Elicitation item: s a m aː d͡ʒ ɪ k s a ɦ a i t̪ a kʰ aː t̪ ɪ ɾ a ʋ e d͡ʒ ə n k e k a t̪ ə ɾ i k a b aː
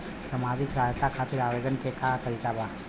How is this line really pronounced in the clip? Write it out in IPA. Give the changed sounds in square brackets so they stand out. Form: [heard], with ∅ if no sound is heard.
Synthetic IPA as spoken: s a m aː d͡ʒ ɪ k s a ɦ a [j] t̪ a kʰ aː t̪ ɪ ɾ a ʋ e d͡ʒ ə n k e k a t̪ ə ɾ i k a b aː